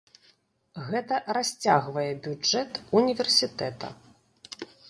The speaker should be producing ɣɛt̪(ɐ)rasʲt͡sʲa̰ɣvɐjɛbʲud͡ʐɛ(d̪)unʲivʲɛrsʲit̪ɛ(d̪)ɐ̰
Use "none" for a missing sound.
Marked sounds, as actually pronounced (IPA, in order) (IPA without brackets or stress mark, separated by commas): ɐ, t̪, t̪